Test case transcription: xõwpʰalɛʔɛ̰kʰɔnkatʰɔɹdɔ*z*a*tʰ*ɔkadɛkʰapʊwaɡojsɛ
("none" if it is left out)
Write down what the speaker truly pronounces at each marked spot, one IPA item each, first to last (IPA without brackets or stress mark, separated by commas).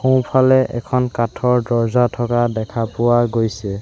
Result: z, tʰ